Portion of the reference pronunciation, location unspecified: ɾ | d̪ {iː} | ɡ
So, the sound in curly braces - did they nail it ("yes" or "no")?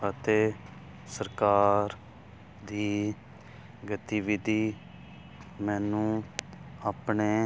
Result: yes